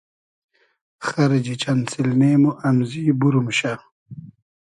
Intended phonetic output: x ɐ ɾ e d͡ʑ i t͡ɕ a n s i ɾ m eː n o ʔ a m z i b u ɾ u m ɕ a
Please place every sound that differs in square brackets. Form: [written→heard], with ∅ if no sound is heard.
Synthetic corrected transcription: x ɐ ɾ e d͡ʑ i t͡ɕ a n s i [ɾ→l] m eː [n→m] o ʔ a m z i b u ɾ u m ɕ a